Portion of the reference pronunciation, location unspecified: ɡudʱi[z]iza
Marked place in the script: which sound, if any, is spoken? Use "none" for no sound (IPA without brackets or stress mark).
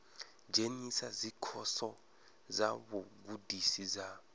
s